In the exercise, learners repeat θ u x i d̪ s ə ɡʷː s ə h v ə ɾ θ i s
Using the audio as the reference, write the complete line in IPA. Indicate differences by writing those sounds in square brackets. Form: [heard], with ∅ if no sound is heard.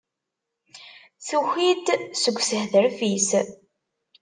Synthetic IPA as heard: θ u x i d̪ s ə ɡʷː s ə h [ð] ə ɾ [f] i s

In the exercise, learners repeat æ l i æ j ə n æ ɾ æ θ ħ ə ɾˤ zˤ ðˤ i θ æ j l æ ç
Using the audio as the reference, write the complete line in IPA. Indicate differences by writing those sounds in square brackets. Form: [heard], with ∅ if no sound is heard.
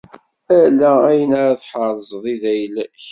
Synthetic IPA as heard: æ l [æ] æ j ə n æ ɾ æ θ ħ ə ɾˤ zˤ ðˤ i [ð] æ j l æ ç

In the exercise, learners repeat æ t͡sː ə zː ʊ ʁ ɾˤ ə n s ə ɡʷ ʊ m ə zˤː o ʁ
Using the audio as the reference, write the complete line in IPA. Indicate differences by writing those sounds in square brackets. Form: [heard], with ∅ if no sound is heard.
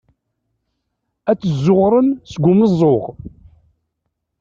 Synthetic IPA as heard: æ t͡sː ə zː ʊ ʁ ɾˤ ə n s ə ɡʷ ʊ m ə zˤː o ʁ

